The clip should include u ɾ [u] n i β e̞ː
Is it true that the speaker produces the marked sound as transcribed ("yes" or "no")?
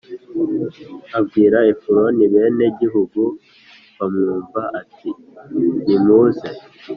no